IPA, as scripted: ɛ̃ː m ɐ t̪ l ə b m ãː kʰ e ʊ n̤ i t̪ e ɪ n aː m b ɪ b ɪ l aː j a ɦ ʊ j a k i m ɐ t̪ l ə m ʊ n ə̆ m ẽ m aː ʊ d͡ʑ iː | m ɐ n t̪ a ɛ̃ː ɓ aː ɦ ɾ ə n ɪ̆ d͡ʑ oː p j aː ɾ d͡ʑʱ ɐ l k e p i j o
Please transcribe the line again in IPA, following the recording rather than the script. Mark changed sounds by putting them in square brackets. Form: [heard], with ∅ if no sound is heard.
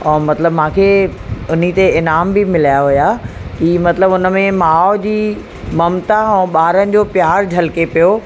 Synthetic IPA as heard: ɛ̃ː m ɐ t̪ l ə b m ãː kʰ e ʊ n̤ i t̪ e ɪ n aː m b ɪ [m] ɪ l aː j a ɦ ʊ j a k i m ɐ t̪ l ə [b] ʊ n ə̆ m ẽ m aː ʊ d͡ʑ iː | m ɐ [m] t̪ a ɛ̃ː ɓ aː [∅] ɾ ə n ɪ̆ d͡ʑ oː p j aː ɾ d͡ʑʱ ɐ l k e p i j o

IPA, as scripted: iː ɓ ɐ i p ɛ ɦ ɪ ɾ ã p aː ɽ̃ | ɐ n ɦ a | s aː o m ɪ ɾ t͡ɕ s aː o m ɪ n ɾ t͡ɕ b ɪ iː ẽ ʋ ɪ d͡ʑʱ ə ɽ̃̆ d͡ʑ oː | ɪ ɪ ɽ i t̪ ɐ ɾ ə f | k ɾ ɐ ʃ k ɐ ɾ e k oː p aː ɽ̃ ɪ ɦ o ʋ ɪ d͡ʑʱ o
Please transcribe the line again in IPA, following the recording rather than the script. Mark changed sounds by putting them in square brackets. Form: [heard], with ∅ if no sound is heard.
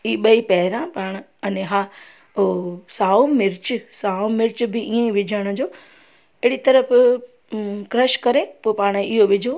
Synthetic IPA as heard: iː ɓ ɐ i p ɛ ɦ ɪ ɾ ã p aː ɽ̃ | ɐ n ɦ a | s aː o m ɪ ɾ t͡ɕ s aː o m ɪ [∅] ɾ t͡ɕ b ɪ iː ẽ ʋ ɪ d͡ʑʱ ə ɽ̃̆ d͡ʑ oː | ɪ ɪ ɽ i t̪ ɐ ɾ ə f | k ɾ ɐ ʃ k ɐ ɾ e [p] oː p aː ɽ̃ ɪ ɦ o ʋ ɪ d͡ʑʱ o

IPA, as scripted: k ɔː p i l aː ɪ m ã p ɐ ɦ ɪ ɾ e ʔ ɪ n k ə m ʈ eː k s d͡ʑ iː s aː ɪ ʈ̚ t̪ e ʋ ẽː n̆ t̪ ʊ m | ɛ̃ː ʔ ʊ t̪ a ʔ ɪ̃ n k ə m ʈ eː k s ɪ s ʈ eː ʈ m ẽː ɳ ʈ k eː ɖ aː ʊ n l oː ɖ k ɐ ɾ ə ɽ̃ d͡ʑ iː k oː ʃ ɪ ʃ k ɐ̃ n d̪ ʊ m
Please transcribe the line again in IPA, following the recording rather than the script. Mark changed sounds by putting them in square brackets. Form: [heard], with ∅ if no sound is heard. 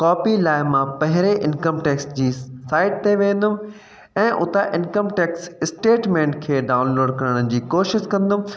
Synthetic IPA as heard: k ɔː p i l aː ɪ m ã p ɐ ɦ ɪ ɾ e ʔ ɪ n k ə m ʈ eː k s d͡ʑ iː s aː ɪ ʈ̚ t̪ e ʋ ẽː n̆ [d̪] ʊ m | ɛ̃ː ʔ ʊ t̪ a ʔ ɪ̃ n k ə m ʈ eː k s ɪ s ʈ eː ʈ m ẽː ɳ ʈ [kʰ] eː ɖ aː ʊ n l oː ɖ k ɐ ɾ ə ɽ̃ d͡ʑ iː k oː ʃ ɪ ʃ k ɐ̃ n d̪ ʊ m

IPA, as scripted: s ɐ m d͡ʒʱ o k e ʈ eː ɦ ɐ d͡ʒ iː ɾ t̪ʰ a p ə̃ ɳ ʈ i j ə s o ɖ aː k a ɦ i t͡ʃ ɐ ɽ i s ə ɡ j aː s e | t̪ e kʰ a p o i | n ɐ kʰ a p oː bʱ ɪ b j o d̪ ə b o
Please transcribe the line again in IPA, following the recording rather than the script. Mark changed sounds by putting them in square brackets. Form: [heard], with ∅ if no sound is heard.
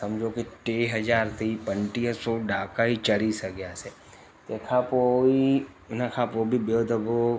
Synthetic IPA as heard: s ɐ m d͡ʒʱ o k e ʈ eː ɦ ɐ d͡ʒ [aː] ɾ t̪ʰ [i] p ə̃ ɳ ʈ i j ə s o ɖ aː k a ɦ i t͡ʃ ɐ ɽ i s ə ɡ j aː s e | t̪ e kʰ a p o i | n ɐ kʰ a p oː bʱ [i] b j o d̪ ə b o

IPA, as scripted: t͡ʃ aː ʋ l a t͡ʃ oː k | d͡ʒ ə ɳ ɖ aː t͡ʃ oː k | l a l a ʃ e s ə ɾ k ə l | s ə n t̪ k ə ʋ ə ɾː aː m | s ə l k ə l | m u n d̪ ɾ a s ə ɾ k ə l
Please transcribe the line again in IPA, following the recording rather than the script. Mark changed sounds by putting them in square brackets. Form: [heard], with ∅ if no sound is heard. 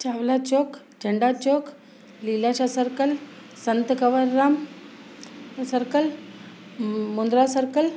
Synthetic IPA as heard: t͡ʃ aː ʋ l a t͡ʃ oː k | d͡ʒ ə ɳ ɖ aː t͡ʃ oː k | l [i] l a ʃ [a] s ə ɾ k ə l | s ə n t̪ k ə ʋ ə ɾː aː m | s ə [ɾ] k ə l | m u n d̪ ɾ a s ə ɾ k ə l

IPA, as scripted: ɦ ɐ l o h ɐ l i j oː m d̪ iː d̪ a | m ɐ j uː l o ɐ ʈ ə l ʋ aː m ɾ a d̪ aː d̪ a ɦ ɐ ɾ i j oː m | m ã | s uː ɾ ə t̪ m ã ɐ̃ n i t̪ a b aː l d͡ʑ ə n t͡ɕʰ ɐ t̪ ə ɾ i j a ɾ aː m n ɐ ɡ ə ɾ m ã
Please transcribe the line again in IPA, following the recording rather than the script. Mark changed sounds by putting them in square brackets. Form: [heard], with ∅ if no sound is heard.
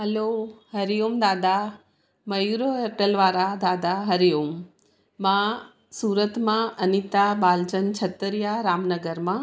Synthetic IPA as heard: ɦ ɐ l o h ɐ [ɾ] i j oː m d̪ [aː] d̪ a | m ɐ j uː [ɾ] o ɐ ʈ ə l ʋ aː [∅] ɾ a d̪ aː d̪ a ɦ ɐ ɾ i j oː m | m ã | s uː ɾ ə t̪ m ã [ɐ] n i t̪ a b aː l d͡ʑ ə n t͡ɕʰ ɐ t̪ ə ɾ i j a ɾ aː m n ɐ ɡ ə ɾ m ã

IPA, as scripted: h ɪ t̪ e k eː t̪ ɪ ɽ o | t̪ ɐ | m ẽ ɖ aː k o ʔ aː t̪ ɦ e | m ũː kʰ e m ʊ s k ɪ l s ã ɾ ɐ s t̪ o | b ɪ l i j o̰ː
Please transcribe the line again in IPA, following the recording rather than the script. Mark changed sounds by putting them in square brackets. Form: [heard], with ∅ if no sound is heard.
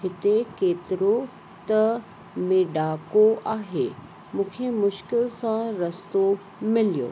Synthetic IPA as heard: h ɪ t̪ e k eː t̪ ɪ [ɾ] o | t̪ ɐ | m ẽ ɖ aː k o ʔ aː [∅] ɦ e | m ũː kʰ e m ʊ [ʃ] k ɪ l s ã ɾ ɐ s t̪ o | [m] ɪ l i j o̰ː

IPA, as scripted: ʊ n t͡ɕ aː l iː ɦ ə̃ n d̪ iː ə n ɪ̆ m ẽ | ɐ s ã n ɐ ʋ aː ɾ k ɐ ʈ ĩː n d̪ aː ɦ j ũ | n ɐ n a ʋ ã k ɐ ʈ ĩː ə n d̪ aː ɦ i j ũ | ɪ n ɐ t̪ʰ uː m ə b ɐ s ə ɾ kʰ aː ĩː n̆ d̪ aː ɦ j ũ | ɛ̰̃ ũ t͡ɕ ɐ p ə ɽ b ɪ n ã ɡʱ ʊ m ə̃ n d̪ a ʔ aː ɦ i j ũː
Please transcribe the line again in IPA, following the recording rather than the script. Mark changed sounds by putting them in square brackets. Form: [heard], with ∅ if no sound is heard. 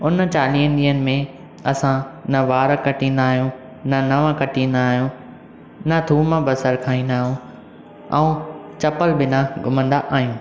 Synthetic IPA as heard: ʊ n t͡ɕ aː l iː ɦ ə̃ n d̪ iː ə n ɪ̆ m ẽ | ɐ s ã n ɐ ʋ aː ɾ k ɐ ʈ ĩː n d̪ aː ɦ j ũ | n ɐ n [ɐ] ʋ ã k ɐ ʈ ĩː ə n d̪ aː ɦ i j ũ | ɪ n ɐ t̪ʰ uː m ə b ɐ s ə ɾ kʰ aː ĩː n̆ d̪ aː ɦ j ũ | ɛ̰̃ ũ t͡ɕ ɐ p ə [l] b ɪ n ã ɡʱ ʊ m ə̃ n d̪ a ʔ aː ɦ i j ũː

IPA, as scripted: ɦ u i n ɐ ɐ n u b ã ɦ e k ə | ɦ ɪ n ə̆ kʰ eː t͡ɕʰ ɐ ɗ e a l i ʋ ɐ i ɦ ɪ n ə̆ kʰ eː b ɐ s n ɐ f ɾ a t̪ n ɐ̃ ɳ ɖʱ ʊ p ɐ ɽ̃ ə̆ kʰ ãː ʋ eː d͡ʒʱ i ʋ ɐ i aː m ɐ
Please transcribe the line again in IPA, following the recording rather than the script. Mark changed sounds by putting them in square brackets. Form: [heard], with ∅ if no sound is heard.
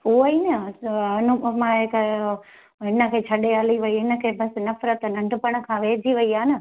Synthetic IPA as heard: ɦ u i n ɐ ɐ n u [m] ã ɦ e k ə | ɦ ɪ n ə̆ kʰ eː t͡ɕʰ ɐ ɗ e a l i ʋ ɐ i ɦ ɪ n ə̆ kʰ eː b ɐ s n ɐ f ɾ [ə] t̪ n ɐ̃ ɳ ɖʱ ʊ p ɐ ɽ̃ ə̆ kʰ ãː ʋ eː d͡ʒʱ i ʋ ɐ i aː [n] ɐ

